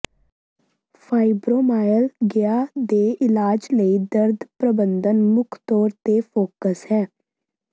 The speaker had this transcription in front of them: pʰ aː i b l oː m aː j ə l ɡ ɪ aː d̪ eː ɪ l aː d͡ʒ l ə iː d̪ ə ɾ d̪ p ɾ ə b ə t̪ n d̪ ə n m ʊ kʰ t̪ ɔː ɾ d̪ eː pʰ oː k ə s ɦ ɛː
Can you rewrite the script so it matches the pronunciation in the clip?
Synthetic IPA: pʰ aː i b ɾ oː m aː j ə l ɡ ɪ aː d̪ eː ɪ l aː d͡ʒ l ə iː d̪ ə ɾ d̪ p ɾ ə b ə n d̪ ə n m ʊ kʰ t̪ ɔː ɾ t̪ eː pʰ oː k ə s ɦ ɛː